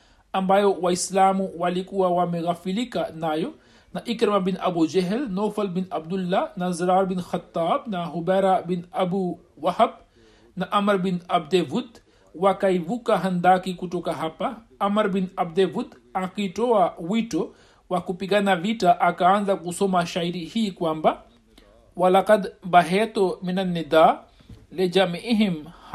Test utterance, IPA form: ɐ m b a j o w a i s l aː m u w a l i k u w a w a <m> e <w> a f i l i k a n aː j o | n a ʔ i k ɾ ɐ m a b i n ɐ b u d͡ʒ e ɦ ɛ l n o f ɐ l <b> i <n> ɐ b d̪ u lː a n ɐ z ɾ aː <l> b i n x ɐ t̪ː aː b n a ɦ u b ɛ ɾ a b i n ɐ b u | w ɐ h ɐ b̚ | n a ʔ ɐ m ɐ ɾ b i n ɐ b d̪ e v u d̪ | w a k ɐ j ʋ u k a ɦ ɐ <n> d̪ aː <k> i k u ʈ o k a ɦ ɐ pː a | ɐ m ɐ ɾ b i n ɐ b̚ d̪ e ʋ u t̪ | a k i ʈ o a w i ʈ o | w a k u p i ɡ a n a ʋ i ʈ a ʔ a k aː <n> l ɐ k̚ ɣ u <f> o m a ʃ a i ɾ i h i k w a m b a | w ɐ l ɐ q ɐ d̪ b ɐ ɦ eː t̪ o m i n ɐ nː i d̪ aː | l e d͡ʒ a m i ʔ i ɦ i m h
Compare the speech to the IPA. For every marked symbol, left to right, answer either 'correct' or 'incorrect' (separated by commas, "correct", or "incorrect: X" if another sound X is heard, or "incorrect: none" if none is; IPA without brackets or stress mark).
correct, incorrect: ɣ, correct, correct, incorrect: ɾ, correct, correct, correct, incorrect: s